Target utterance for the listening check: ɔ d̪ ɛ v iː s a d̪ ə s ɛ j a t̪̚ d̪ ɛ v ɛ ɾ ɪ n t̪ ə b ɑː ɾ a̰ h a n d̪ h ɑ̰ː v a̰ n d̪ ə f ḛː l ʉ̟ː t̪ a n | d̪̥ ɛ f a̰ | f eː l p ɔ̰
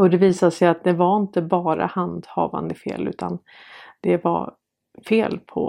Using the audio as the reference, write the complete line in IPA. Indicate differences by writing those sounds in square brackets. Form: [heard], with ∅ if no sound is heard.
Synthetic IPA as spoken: ɔ d̪ ɛ v iː s a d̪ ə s ɛ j a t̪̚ d̪ ɛ v [a] ɾ ɪ n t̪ ə b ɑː ɾ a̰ h a n d̪ h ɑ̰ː v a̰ n d̪ ə f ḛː l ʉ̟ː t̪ a n | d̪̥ ɛ [v] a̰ | f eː l [pʰ] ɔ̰